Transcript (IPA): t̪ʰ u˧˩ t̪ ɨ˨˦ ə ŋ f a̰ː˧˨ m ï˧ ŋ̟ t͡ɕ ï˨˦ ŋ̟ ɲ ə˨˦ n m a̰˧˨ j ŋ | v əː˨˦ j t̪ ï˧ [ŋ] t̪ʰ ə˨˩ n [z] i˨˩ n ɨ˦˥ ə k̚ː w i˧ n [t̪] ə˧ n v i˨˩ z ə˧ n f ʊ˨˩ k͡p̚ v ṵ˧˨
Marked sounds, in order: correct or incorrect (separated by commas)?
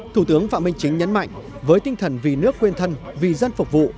correct, incorrect, incorrect